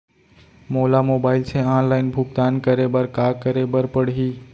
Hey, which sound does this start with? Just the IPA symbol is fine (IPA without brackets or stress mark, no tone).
m